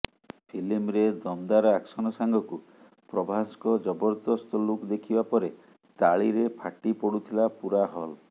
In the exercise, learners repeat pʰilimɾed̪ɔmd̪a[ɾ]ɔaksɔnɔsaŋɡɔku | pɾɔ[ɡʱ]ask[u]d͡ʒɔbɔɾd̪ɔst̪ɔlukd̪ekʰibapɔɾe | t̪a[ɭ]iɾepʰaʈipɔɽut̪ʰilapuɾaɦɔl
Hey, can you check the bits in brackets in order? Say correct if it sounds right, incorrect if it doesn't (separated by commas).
correct, incorrect, incorrect, correct